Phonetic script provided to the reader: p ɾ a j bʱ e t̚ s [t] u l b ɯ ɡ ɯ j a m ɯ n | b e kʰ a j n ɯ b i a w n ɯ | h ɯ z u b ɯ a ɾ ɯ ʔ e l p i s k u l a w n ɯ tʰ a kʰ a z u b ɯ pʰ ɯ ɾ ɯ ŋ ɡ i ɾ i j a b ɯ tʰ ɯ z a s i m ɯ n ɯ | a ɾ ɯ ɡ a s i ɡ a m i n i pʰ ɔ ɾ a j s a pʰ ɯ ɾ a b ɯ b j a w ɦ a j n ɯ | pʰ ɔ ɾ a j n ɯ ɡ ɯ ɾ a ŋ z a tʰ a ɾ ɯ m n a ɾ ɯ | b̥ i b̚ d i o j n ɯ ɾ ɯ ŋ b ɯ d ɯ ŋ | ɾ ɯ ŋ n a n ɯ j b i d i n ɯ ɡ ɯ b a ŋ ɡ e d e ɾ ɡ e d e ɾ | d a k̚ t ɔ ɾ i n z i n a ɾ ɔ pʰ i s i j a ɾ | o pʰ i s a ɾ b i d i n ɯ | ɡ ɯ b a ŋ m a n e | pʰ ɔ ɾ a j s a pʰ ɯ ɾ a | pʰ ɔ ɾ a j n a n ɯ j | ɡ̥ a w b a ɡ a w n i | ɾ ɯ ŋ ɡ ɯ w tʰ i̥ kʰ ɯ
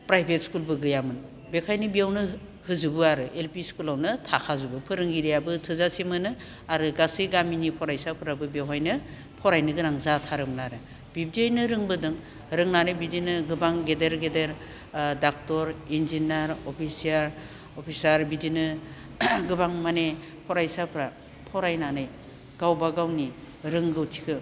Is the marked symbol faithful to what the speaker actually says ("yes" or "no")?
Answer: no